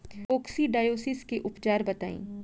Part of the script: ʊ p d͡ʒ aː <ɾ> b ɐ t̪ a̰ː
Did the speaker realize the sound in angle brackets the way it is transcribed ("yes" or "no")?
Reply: yes